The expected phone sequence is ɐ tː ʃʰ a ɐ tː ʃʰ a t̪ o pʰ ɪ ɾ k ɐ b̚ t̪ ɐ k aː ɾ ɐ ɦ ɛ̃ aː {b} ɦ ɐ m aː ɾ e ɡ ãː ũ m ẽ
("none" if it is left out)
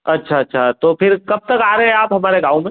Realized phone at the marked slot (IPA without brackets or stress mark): p